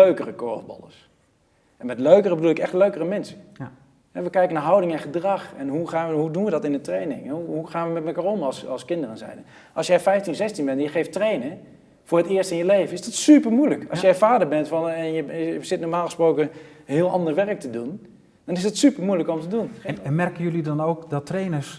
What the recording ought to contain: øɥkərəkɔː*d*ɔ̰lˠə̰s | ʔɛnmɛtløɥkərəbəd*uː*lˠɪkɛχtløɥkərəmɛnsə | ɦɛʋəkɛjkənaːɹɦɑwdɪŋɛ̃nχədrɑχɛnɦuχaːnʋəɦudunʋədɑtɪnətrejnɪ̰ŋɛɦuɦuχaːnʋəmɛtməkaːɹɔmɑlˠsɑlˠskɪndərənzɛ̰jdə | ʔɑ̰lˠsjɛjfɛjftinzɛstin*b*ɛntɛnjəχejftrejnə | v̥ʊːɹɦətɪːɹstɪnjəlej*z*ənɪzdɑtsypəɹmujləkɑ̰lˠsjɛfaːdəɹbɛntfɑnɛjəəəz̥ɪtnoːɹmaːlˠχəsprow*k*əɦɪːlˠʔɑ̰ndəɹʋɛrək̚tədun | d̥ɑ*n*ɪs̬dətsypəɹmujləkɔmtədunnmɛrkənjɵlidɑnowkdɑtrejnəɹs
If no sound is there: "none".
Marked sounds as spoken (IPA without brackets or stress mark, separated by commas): b, u, b, v, k, n